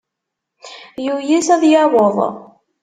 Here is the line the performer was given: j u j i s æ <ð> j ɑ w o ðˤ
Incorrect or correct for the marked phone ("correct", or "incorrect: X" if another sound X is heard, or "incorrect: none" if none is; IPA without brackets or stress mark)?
correct